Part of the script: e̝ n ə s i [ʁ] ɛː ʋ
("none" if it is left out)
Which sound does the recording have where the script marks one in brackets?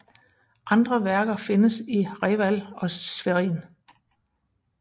ʁ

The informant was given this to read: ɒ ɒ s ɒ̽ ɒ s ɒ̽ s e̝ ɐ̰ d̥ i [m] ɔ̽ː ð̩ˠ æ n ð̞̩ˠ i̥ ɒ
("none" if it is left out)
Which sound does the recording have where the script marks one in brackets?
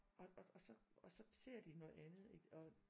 n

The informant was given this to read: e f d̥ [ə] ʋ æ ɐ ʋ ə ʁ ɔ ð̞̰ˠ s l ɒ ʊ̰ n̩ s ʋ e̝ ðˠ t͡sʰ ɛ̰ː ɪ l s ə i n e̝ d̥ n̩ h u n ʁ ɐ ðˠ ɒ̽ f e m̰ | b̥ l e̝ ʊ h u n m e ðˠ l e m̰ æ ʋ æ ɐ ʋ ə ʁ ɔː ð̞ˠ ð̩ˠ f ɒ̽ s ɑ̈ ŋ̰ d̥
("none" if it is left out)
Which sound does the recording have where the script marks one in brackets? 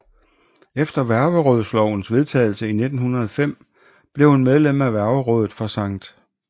ɐ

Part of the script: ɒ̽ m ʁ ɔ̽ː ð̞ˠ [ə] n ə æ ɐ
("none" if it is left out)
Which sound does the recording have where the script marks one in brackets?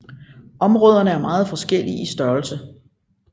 ɐ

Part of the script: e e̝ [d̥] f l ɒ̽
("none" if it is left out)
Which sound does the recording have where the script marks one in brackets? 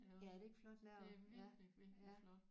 ɡ̥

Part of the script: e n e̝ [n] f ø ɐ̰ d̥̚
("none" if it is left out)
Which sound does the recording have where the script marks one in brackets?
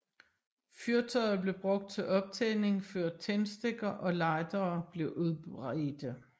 ŋ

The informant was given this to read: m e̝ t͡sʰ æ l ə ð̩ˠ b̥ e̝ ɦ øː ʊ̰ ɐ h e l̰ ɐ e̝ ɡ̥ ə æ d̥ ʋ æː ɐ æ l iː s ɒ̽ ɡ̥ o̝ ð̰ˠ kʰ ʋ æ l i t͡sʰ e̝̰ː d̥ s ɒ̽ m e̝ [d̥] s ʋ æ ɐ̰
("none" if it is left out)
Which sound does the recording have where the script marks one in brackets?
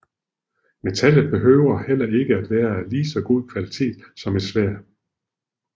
d̥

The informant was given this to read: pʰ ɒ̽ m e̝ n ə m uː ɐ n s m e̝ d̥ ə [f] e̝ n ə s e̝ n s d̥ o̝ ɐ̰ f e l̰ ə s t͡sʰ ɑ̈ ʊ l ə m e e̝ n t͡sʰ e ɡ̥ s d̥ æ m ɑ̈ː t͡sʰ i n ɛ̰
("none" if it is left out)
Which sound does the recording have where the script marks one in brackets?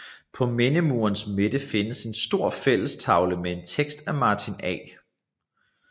f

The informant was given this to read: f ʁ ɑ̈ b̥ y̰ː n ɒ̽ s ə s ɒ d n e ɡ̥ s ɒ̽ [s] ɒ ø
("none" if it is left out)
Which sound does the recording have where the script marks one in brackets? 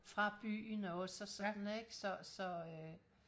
s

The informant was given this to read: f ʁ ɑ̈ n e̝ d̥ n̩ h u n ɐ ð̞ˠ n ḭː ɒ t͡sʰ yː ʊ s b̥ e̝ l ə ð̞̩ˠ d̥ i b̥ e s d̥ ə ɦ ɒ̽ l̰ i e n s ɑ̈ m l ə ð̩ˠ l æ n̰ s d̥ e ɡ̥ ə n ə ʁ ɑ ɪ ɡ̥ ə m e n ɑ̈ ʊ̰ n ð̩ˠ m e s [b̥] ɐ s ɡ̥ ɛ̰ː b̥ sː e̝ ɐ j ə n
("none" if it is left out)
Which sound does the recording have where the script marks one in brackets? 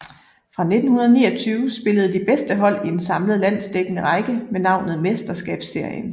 d̥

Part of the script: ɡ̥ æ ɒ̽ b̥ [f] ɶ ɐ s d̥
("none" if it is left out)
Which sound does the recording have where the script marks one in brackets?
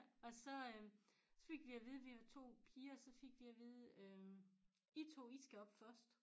f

